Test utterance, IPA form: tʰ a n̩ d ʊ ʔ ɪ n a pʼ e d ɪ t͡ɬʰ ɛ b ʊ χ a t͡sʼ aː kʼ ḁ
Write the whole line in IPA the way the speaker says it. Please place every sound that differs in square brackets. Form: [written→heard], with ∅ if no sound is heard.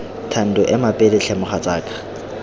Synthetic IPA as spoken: tʰ a n̩ d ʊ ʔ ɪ [n→m] a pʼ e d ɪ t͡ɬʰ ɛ [b→m] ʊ χ a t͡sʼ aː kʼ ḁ